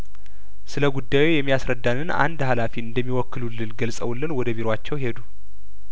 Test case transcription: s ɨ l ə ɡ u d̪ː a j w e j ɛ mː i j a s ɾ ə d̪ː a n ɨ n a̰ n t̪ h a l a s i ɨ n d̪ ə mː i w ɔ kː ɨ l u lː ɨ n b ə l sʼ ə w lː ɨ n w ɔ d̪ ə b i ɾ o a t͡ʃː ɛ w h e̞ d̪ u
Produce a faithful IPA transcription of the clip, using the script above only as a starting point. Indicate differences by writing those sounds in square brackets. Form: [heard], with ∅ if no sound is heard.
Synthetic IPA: s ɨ l ə ɡ u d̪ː a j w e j ɛ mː i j a s ɾ ə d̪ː a n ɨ n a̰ n [d̪] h a l a [f] i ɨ n d̪ ə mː i w ɔ kː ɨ l u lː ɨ n [ɡ] ə l sʼ ə w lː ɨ n w ɔ d̪ ə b i ɾ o a t͡ʃː ɛ w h e̞ d̪ u